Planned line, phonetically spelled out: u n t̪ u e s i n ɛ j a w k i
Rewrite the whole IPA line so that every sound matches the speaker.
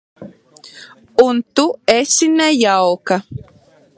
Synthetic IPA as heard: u n t̪ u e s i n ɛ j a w k a